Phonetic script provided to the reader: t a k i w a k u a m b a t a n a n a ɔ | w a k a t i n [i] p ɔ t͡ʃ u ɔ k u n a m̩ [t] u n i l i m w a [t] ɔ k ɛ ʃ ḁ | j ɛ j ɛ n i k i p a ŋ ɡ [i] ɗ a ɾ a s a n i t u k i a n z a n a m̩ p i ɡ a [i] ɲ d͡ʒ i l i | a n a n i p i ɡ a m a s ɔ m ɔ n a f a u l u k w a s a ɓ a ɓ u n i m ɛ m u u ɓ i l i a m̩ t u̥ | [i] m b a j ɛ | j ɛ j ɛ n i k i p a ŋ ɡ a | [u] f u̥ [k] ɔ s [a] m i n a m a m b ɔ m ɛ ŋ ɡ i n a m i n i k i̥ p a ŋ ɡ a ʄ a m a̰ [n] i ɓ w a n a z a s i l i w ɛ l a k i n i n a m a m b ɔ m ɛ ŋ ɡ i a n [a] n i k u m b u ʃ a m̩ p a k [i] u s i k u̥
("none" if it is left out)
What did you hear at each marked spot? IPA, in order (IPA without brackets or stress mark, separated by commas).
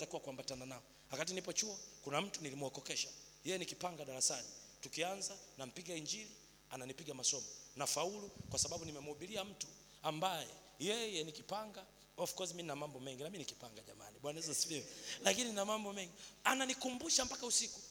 i, t, k, a, i, a, ɔ, k, i, n, a, a